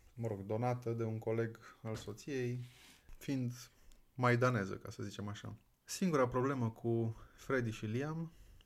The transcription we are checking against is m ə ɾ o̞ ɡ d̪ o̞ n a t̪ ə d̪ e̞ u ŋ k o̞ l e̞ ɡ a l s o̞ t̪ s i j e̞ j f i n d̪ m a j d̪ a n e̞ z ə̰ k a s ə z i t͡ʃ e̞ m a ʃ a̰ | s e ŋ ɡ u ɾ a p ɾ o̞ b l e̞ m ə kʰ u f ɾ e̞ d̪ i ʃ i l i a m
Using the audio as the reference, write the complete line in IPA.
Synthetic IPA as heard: m ə ɾ o̞ ɡ d̪ o̞ n a t̪ ə d̪ e̞ u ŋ k o̞ l e̞ ɡ a l s o̞ t̪ s i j e̞ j f i n d̪ m a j d̪ a n e̞ z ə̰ k a s ə z i t͡ʃ e̞ m a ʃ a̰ | s i ŋ ɡ u ɾ a p ɾ o̞ b l e̞ m ə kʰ u f ɾ e̞ d̪ i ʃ i l i a m